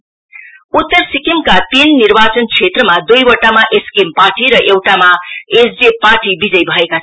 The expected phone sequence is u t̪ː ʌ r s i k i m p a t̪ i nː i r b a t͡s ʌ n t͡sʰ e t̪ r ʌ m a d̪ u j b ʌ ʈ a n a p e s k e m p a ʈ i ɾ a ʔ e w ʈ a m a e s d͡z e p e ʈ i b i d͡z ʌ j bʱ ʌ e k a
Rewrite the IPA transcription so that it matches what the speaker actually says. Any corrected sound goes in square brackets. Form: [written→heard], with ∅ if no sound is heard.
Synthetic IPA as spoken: u t̪ː ʌ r s i k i m [p→k] a t̪ i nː i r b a t͡s ʌ n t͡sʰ e t̪ r ʌ m a d̪ u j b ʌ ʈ a [n→m] a [p→ʔ] e s k e m p a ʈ i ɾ [a→ʌ] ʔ e w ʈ a m a e s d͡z e p [e→a] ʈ i b i d͡z ʌ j bʱ ʌ e k a